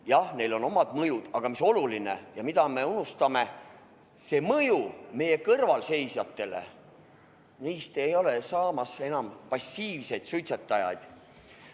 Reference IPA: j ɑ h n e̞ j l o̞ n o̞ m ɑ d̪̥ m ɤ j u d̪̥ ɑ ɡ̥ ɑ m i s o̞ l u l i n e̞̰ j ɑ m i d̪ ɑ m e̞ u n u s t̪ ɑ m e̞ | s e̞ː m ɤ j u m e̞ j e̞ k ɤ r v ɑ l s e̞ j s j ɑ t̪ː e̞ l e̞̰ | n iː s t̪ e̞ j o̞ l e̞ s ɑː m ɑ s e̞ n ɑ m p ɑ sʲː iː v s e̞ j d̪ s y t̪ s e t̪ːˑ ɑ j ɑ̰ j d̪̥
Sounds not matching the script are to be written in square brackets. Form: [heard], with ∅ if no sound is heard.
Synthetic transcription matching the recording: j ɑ h n e̞ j l o̞ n o̞ m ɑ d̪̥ m ɤ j u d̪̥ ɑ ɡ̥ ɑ m i s o̞ l u l i n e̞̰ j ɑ m i d̪ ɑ m e̞ u n u s t̪ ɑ m e̞ | s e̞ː m ɤ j u m e̞ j e̞ k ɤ r v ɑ l s e̞ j s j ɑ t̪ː e̞ l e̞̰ | n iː s t̪ e̞ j o̞ l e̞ s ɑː m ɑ s e̞ n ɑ m p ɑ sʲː iː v s e̞ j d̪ s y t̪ s e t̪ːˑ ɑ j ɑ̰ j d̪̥